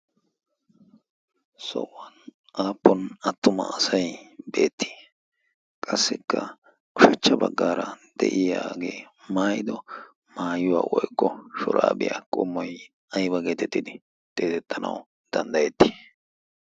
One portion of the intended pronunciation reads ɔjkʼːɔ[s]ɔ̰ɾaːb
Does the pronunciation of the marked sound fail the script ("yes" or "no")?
yes